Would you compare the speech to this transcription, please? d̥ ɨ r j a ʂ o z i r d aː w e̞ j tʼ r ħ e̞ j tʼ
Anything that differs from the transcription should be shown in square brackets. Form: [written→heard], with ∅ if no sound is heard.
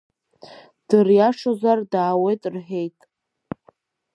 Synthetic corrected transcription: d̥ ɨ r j a ʂ o z [i→a] r d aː w e̞ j tʼ r ħ e̞ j tʼ